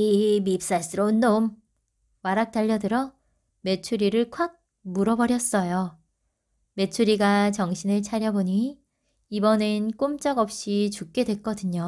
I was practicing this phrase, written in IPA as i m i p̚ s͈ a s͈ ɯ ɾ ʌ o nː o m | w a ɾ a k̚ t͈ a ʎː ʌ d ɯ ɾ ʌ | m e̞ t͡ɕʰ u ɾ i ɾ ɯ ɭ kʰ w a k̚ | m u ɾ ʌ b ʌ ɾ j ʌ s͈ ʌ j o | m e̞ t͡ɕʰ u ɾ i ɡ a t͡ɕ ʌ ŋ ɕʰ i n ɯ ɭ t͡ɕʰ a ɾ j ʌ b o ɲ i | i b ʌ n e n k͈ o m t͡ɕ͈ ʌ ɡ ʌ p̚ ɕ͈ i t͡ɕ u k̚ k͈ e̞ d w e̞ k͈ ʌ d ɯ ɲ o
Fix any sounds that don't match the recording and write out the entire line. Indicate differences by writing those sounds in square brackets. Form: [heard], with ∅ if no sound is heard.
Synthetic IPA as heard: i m i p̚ s͈ a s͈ ɯ ɾ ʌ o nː o m | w a ɾ a k̚ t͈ a ʎː ʌ d ɯ ɾ ʌ | m e̞ t͡ɕʰ u ɾ i ɾ ɯ ɭ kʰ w a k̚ | m u ɾ ʌ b ʌ ɾ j ʌ s͈ ʌ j o | m e̞ t͡ɕʰ u ɾ i ɡ a t͡ɕ ʌ ŋ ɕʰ i n ɯ ɭ t͡ɕʰ a ɾ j ʌ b o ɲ i | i b ʌ n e n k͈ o m t͡ɕ͈ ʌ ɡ ʌ p̚ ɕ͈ i t͡ɕ u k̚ k͈ e̞ d w e̞ k͈ ʌ d ɯ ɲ o

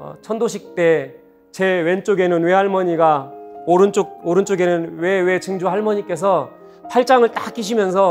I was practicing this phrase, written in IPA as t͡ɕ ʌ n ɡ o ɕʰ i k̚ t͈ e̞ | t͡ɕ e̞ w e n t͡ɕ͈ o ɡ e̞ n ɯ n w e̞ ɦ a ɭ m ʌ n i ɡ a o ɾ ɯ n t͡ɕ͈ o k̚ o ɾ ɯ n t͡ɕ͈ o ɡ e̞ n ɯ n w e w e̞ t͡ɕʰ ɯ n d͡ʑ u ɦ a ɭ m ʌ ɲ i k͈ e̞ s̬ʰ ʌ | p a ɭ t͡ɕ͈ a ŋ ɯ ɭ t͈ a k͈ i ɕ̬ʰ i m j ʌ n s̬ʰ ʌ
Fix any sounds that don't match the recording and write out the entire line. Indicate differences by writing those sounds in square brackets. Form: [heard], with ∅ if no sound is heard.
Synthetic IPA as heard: [t͡ɕʰ] ʌ n [d] o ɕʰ i k̚ t͈ e̞ | t͡ɕ e̞ w e n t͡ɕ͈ o ɡ e̞ n ɯ n w e̞ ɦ a ɭ m ʌ [ɲ] i ɡ a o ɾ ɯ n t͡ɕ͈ o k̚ o ɾ ɯ n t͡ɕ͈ o ɡ e̞ n ɯ n w e w e̞ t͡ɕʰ ɯ [ŋ] d͡ʑ u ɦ a ɭ m ʌ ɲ i k͈ e̞ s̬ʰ ʌ | [pʰ] a ɭ t͡ɕ͈ a ŋ ɯ ɭ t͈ a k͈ i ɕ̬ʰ i m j ʌ n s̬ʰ ʌ

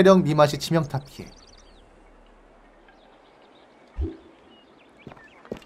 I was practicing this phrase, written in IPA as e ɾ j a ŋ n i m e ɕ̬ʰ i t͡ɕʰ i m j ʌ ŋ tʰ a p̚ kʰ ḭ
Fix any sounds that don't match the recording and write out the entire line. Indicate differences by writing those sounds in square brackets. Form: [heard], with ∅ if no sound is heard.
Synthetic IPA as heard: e ɾ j [ʌ] ŋ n i m [a] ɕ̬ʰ i t͡ɕʰ i m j ʌ ŋ tʰ a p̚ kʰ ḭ

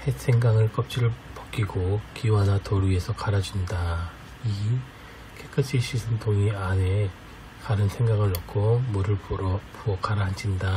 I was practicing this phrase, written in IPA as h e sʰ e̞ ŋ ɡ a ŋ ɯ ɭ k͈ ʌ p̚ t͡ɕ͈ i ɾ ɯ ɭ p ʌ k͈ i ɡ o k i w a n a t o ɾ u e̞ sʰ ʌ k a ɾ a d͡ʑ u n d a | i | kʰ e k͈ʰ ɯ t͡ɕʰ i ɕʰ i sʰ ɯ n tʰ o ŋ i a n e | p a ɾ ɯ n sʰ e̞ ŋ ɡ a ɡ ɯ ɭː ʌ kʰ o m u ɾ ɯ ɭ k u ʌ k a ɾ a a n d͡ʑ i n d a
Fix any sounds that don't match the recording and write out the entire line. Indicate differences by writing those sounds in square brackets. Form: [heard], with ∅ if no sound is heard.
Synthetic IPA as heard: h e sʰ e̞ ŋ ɡ a ŋ ɯ ɭ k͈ ʌ p̚ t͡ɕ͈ i ɾ ɯ ɭ p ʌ k͈ i ɡ o k i w a n a t o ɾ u e̞ sʰ ʌ k a ɾ a d͡ʑ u n d a | i | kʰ e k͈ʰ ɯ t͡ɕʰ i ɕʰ i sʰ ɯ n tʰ o ŋ i a n e | [k] a ɾ ɯ n sʰ e̞ ŋ ɡ a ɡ ɯ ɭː ʌ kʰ o m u ɾ ɯ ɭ [p] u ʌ k a ɾ a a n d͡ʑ i n d a

